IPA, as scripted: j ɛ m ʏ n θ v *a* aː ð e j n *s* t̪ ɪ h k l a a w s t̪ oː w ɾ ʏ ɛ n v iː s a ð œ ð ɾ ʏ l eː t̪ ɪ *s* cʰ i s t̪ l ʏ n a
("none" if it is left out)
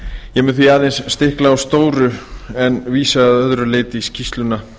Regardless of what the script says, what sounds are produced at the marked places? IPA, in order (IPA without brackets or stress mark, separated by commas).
i, sː, s